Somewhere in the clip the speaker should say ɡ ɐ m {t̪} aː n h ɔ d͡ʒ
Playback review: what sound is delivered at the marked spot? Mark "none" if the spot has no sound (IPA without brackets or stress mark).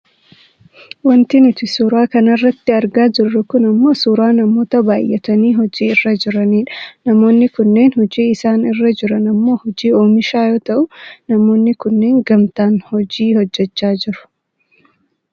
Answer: t̪